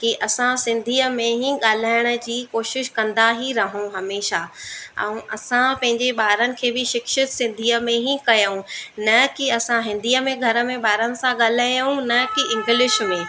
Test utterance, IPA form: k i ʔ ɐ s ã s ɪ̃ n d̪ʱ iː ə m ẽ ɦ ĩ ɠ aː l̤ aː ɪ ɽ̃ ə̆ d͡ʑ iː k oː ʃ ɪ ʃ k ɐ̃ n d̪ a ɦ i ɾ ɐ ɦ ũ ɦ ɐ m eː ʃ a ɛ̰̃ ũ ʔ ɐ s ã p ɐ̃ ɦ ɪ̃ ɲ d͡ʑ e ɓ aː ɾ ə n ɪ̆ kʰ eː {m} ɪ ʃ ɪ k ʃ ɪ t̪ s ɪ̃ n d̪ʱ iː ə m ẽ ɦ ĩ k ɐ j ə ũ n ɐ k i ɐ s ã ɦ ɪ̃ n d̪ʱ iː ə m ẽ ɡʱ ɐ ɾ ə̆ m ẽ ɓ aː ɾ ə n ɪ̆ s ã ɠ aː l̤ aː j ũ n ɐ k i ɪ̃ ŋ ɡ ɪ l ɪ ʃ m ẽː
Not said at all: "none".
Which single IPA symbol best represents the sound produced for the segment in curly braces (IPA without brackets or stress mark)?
b